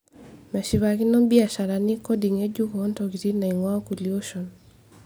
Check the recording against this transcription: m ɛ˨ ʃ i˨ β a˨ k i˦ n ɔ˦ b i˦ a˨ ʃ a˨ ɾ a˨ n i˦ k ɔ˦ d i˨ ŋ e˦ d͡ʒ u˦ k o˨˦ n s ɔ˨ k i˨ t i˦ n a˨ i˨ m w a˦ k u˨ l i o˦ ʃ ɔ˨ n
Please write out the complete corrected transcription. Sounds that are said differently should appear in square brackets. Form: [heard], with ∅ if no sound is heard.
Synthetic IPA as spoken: m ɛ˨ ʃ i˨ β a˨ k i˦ n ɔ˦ b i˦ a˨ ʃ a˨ ɾ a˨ n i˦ k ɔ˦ d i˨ ŋ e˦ d͡ʒ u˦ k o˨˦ n [t] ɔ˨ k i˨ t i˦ n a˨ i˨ [ŋ] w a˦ k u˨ l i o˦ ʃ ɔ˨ n